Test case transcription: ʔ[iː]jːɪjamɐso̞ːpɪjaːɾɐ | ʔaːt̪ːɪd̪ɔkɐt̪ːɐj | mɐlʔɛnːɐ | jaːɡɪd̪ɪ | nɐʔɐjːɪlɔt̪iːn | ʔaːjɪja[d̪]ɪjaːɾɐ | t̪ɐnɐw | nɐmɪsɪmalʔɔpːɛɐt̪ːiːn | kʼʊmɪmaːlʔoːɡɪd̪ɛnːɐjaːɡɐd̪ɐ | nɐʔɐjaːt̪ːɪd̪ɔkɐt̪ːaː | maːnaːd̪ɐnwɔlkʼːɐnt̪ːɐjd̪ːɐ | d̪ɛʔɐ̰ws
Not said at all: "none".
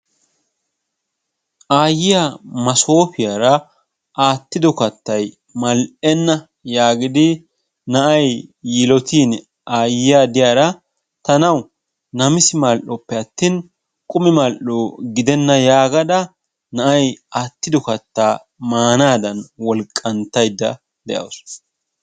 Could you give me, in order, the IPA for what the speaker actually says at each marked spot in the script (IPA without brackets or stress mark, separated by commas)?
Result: aː, d̪